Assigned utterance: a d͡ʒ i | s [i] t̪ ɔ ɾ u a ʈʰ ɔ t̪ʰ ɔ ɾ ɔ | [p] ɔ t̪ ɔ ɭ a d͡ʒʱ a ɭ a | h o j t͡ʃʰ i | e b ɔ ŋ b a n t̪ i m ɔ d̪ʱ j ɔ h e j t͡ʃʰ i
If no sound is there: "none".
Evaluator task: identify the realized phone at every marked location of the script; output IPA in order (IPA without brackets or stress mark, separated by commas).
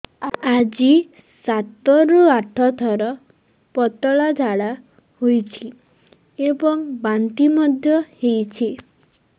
a, p